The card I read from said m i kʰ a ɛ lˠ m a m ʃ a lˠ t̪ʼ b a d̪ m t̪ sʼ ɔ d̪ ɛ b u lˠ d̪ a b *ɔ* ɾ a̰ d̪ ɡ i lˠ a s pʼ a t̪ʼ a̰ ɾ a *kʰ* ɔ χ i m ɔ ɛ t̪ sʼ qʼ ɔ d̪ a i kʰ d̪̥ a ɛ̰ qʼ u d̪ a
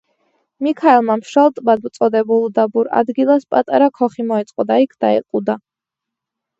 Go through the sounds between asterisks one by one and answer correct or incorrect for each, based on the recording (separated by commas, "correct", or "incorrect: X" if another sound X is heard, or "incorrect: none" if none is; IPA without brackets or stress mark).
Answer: incorrect: u, correct